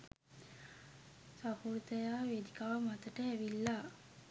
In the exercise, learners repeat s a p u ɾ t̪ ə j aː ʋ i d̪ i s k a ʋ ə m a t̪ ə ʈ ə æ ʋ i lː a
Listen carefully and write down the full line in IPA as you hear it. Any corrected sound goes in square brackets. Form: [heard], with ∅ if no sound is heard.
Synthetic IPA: s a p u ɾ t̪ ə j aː ʋ [e] d̪ i [∅] k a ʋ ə m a t̪ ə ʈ ə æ ʋ i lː a